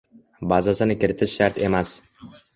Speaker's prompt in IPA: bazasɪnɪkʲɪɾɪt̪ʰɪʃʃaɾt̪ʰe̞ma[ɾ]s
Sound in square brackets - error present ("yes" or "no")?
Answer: yes